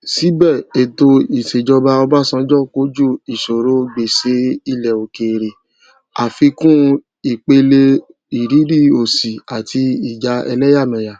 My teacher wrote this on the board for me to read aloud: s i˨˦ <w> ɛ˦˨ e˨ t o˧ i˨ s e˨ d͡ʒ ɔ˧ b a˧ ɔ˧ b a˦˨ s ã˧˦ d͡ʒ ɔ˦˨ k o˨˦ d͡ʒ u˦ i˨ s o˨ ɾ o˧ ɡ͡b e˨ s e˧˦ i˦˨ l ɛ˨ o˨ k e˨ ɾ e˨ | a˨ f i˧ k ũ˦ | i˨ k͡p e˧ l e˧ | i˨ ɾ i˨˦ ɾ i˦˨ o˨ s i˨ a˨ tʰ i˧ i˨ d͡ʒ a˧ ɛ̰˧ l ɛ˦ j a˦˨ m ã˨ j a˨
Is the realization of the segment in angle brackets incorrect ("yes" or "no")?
yes